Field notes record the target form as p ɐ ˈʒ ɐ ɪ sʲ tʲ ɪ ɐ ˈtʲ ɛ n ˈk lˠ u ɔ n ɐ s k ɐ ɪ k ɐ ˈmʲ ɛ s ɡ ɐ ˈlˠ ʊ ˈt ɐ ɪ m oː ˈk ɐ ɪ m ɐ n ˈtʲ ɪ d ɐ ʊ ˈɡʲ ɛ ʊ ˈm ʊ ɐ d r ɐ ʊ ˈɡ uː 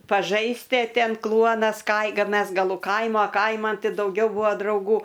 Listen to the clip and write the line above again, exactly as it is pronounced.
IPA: p ɐ ˈʒ ɐ ɪ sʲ tʲ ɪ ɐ ˈtʲ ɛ n ˈk lˠ u ɔ n ɐ s k ɐ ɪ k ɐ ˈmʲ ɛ s ɡ ɐ ˈlˠ ʊ ˈk ɐ ɪ m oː ˈk ɐ ɪ m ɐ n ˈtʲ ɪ d ɐ ʊ ˈɡʲ ɛ ʊ ˈb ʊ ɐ d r ɐ ʊ ˈɡ uː